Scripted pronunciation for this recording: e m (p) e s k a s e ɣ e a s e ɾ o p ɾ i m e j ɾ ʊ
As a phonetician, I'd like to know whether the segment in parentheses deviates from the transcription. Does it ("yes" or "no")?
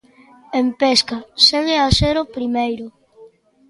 no